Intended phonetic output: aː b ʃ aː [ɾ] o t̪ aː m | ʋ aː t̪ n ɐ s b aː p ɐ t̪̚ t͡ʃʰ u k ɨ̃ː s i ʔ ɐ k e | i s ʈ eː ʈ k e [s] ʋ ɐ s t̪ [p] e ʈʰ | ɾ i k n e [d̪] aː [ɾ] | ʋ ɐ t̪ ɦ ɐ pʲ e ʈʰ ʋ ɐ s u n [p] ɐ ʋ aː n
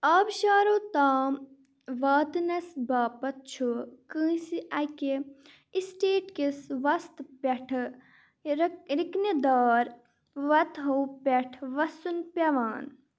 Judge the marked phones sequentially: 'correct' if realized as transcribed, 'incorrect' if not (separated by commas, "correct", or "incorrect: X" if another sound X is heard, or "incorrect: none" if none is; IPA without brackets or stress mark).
correct, correct, correct, correct, correct, correct